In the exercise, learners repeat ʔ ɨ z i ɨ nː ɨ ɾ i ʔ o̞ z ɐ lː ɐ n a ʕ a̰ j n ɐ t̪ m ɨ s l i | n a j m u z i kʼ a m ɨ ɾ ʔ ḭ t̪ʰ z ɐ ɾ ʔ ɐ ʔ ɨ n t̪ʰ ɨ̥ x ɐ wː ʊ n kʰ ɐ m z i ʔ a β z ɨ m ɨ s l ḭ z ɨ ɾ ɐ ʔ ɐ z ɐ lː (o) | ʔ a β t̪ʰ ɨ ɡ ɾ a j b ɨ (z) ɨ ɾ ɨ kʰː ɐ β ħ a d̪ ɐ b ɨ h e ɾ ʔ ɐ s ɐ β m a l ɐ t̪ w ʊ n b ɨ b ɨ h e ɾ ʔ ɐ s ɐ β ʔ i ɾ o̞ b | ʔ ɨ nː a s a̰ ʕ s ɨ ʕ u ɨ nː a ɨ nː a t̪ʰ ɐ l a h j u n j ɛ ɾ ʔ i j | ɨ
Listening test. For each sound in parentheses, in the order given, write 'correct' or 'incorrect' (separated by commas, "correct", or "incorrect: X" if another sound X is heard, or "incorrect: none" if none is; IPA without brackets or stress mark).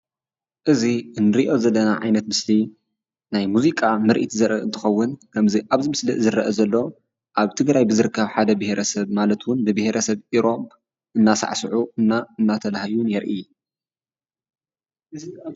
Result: correct, correct